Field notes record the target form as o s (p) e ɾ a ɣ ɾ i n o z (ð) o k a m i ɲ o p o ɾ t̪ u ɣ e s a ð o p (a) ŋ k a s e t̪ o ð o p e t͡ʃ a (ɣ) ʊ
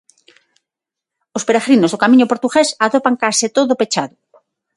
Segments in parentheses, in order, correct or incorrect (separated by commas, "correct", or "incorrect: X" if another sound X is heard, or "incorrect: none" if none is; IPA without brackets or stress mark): correct, correct, correct, incorrect: ð